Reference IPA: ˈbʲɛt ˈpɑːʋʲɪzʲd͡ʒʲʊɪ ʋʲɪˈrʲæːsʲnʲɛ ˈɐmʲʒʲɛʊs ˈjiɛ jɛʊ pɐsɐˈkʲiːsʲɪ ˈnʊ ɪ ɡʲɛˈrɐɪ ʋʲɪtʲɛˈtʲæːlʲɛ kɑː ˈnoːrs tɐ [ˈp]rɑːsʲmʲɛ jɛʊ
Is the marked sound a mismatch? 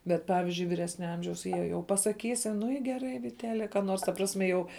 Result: no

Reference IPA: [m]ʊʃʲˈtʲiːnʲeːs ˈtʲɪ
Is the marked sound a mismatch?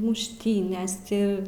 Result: no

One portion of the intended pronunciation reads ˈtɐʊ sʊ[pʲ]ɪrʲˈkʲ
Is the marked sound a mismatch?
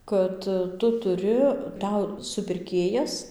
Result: no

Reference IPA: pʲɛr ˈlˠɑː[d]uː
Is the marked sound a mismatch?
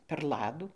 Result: no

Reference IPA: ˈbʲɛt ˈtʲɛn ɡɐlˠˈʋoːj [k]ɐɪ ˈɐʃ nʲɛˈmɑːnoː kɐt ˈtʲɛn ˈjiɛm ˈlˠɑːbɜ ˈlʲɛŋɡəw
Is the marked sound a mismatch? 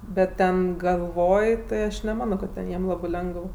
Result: yes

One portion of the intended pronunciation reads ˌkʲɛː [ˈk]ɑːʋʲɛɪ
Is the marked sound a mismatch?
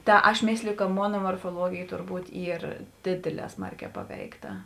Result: yes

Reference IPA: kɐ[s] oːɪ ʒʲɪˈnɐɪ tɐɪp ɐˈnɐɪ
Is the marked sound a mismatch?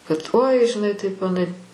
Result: yes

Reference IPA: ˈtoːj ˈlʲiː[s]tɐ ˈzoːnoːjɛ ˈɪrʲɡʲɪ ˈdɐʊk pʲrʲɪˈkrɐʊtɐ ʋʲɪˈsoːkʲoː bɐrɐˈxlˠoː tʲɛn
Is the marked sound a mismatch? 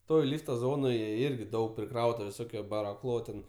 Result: yes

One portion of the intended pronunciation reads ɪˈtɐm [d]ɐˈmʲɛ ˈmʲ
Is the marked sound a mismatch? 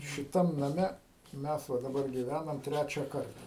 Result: yes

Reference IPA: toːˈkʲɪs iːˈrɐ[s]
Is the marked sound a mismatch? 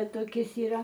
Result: yes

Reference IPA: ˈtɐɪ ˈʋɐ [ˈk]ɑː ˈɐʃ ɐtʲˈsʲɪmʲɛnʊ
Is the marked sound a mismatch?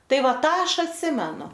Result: yes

